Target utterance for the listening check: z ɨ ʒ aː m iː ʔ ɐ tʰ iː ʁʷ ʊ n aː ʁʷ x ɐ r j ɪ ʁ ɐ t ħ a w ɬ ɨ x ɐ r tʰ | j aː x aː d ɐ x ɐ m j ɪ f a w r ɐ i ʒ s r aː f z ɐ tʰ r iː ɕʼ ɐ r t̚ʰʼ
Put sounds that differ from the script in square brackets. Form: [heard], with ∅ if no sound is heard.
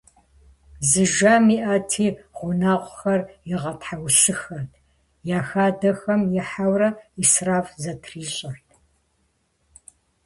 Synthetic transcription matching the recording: z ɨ ʒ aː m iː ʔ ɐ tʰ iː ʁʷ ʊ n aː ʁʷ x ɐ r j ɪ ʁ ɐ t ħ a w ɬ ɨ x ɐ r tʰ | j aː x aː d ɐ x ɐ m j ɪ [ħ] a w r ɐ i [∅] s r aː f z ɐ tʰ r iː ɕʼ ɐ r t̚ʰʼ